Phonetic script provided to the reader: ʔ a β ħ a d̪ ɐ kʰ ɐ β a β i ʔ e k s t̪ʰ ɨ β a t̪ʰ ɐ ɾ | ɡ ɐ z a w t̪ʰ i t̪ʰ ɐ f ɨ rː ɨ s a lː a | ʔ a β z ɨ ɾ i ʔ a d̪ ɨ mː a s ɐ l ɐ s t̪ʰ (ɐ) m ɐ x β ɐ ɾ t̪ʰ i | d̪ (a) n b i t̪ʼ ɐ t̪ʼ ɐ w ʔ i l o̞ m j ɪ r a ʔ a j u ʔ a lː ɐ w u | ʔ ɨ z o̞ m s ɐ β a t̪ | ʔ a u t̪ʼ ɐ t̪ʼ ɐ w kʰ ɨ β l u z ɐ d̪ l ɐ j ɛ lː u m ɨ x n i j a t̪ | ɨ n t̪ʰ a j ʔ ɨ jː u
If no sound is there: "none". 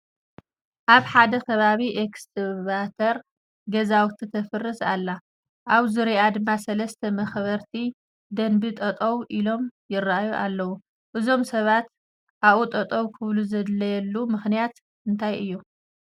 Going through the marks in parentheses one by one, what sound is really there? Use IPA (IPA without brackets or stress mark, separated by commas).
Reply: ɐ, ɐ